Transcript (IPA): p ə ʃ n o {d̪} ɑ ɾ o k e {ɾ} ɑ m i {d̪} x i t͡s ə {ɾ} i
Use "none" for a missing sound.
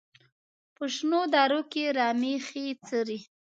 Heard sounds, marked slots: d̪, ɾ, none, ɾ

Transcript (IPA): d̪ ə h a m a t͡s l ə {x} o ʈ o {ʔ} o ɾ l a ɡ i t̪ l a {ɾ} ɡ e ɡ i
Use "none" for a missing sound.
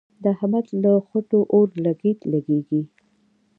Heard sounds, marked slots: x, ʔ, none

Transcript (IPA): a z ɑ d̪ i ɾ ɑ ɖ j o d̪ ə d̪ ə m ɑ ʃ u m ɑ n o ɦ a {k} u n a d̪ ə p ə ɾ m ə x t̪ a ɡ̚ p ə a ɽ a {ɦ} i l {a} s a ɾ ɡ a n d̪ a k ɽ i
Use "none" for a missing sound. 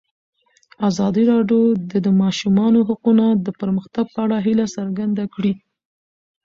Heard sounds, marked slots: q, ɦ, a

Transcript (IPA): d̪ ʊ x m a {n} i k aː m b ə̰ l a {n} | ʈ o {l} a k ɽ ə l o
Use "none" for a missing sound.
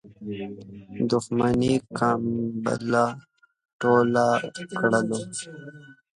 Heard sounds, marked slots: n, none, l

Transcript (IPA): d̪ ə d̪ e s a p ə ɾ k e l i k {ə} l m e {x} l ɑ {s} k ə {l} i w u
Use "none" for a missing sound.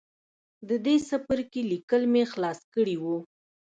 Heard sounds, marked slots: ə, x, s, ɽ

